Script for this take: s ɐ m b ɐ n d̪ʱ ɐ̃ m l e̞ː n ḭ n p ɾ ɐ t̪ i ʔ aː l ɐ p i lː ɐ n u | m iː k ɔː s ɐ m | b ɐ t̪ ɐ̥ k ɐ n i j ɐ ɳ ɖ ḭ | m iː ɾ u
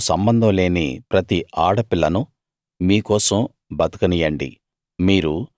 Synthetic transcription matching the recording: s ɐ m b ɐ n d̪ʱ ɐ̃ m l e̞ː n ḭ p ɾ ɐ t̪ i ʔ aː ɽ ɐ p i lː ɐ n u | m iː k ɔː s ɐ m | b ɐ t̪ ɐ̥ k ɐ n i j ɐ ɳ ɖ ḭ | m iː ɾ u